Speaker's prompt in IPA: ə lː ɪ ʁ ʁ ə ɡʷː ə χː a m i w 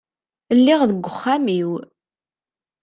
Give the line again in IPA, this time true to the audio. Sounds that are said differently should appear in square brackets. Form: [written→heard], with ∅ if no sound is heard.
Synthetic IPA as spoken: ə lː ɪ ʁ [ʁ→ð] ə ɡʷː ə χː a m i w